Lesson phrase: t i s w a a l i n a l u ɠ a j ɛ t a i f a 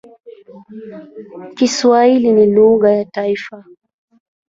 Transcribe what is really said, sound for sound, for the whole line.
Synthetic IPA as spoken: k i s w a i l i n i l u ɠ a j a t a i f a

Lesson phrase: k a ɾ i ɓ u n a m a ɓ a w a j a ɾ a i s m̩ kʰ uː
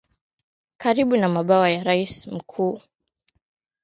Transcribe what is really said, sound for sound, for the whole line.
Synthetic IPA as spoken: k a ɾ i ɓ u n a m a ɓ a w a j a ɾ a i s m̩ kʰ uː

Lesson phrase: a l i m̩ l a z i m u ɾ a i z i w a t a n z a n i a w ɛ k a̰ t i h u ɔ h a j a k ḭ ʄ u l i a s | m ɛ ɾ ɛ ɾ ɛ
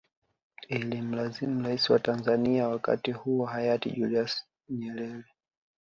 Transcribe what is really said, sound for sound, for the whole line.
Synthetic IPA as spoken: i l i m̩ l a z i m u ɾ a i s i w a t a n z a n i a w a k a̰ t i h u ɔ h a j a t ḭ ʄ u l i a s | ɲ ɛ ɾ ɛ ɾ ɛ

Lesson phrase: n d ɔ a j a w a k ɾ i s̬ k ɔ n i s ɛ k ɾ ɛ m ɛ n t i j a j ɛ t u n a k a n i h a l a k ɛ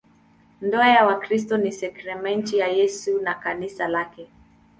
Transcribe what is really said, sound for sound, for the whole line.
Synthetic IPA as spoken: n d ɔ a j a w a k ɾ i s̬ t ɔ n i s ɛ k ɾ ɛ m ɛ n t i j a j ɛ s u n a k a n i s a l a k ɛ

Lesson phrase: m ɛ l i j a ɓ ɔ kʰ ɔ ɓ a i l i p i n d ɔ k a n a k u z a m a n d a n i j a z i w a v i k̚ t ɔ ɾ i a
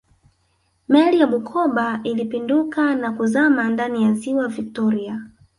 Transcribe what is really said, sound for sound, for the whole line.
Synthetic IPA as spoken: m ɛ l i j a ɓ u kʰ ɔ ɓ a i l i p i n d u k a n a k u z a m a n d a n i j a z i w a v i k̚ t ɔ ɾ i a

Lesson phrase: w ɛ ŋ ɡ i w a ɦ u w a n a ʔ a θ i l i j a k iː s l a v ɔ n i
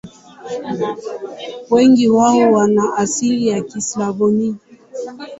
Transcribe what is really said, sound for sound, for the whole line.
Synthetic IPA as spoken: w ɛ ŋ ɡ i w a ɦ ɔ w a n a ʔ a s i l i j a k i s l a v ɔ n i

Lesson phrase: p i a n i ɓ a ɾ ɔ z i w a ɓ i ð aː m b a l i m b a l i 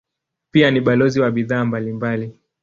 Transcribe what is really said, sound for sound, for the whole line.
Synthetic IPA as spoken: p i a n i ɓ a l ɔ z i w a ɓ i ð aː m b a l i m b a l i

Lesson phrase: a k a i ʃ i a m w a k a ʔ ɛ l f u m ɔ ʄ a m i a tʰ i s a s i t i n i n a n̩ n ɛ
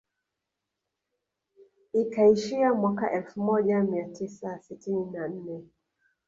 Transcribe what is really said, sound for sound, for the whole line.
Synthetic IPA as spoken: i k a i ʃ i a m w a k a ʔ ɛ l f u m ɔ ʄ a m i a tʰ i s a s i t i n i n a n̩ n ɛ

